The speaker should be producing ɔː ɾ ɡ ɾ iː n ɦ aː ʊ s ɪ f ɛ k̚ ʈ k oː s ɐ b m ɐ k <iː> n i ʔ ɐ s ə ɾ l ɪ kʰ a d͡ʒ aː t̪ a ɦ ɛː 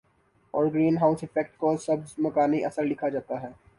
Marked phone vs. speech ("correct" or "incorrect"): incorrect